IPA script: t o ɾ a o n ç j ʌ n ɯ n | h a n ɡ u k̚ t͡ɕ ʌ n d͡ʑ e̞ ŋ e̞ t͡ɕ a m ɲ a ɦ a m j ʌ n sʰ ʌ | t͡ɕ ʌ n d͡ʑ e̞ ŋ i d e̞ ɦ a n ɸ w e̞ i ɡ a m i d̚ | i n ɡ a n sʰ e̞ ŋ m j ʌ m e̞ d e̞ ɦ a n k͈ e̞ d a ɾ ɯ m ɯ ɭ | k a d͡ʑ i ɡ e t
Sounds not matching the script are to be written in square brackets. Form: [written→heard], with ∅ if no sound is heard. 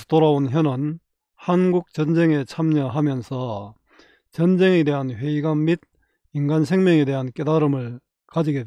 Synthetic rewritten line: t o ɾ a o n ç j ʌ n ɯ n | h a n ɡ u k̚ t͡ɕ ʌ n d͡ʑ e̞ ŋ e̞ [t͡ɕ→t͡ɕʰ] a m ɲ [a→ʌ] ɦ a m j ʌ n sʰ ʌ | t͡ɕ ʌ n d͡ʑ e̞ ŋ [i→e] d e̞ ɦ a n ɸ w e̞ i ɡ a m i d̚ | i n ɡ a n sʰ e̞ ŋ m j ʌ [m→ŋ] e̞ d e̞ ɦ a n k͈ e̞ d a ɾ ɯ m ɯ ɭ | k a d͡ʑ i ɡ e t